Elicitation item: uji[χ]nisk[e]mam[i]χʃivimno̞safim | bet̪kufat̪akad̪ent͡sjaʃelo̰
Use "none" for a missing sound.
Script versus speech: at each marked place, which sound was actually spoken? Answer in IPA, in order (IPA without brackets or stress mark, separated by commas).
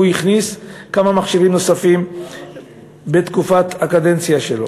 χ, a, a